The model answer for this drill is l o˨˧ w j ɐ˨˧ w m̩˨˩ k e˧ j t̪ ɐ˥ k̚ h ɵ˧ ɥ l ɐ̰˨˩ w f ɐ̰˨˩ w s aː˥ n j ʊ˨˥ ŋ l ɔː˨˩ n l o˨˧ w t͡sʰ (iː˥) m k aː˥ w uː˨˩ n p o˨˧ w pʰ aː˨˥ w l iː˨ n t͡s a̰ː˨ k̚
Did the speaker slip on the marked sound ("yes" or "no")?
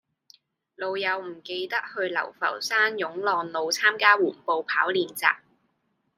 yes